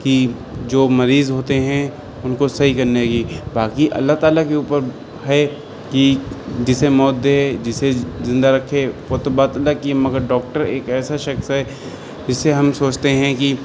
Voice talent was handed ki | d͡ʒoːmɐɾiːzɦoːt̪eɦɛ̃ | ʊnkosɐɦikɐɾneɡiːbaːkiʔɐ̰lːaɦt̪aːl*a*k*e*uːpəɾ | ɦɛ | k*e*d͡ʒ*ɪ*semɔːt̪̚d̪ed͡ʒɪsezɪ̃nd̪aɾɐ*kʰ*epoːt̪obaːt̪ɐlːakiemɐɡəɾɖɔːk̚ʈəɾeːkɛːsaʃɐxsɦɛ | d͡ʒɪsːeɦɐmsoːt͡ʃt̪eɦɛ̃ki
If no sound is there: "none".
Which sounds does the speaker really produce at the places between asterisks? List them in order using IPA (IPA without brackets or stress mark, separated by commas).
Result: a, e, i, ɪ, kʰ